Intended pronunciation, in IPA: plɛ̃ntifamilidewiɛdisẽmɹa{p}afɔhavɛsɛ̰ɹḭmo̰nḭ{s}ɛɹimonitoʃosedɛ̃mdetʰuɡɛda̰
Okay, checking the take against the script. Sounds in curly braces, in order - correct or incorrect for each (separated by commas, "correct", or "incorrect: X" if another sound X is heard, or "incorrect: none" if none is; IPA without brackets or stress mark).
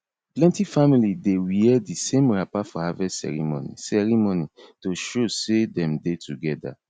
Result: correct, correct